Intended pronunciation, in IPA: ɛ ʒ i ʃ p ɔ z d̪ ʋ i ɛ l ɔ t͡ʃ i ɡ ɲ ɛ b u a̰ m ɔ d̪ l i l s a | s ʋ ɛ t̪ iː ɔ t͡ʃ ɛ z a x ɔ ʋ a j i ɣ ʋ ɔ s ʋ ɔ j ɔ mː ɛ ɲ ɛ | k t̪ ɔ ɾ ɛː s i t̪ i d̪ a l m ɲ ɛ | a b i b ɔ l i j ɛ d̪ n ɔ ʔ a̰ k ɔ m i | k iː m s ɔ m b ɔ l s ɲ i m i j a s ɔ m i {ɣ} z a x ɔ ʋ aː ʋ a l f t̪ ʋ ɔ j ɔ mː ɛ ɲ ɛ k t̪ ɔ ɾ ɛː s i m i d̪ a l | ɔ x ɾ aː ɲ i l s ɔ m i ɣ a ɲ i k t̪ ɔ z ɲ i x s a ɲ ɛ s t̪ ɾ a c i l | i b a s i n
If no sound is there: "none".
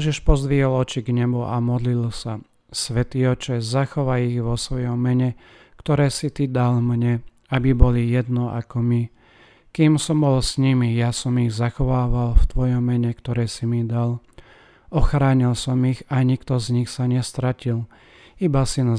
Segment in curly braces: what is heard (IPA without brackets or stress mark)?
ɣ